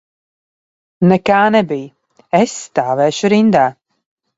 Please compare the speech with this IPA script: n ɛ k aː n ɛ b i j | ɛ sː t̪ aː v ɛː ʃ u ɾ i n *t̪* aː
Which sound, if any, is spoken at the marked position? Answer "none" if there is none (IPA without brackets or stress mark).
d̪